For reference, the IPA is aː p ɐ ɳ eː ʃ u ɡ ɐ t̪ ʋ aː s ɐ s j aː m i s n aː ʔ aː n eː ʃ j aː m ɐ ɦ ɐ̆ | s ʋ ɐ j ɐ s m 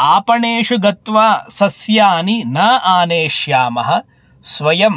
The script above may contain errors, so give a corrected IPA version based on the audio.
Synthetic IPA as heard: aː p ɐ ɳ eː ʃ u ɡ ɐ t̪ ʋ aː s ɐ s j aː n i n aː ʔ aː n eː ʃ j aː m ɐ ɦ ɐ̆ | s ʋ ɐ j ɐ m